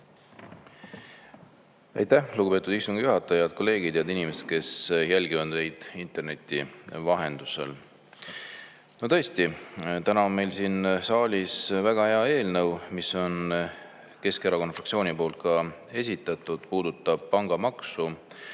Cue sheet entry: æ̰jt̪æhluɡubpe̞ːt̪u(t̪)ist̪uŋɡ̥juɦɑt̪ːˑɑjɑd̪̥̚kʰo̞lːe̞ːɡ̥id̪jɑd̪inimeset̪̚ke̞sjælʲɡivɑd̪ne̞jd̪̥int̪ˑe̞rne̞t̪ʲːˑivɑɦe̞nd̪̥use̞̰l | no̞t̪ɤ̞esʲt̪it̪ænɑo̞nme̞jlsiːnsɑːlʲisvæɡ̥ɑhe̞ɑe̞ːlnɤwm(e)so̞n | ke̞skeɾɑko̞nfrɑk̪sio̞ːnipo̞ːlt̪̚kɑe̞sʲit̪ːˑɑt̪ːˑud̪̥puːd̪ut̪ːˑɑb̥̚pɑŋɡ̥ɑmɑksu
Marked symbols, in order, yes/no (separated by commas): no, no